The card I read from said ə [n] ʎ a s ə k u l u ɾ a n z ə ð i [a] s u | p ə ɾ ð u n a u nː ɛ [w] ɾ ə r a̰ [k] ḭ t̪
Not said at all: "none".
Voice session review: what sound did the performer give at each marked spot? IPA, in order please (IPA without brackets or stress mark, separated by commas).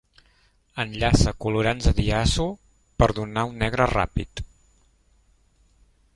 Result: n, a, ɣ, p